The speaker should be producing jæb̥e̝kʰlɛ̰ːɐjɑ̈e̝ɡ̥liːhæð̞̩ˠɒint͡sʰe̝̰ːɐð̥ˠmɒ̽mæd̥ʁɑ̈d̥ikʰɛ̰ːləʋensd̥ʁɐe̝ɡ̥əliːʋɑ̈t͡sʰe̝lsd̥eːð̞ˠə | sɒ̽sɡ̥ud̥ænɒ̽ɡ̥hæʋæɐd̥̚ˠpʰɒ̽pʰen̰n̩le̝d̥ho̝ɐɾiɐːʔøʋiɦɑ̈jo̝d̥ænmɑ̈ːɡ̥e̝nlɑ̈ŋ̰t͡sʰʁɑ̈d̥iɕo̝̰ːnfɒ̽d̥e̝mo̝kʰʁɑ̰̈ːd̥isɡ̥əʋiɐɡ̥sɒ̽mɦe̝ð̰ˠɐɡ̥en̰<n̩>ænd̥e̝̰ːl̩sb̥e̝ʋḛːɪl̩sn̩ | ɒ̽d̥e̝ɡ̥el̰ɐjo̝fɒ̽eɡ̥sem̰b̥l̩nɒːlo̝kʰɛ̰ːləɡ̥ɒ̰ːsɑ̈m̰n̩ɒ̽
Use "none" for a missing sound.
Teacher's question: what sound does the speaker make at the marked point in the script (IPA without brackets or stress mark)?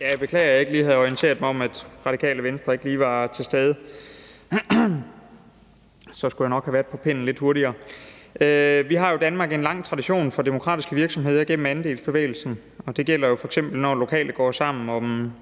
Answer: m̩